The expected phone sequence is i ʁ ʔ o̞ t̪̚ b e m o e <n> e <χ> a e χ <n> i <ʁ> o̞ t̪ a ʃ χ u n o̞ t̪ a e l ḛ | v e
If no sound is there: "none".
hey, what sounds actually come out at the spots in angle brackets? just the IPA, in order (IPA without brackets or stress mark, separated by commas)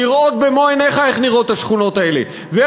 n, χ, n, ʁ